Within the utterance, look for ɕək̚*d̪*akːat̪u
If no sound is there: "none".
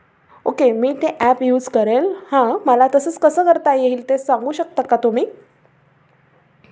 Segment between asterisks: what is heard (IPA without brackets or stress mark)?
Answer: t̪